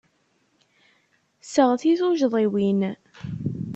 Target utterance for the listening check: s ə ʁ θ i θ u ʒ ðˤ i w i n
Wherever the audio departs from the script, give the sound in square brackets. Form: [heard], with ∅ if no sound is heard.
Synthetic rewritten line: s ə ʁ θ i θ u ʒ ðˤ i w i n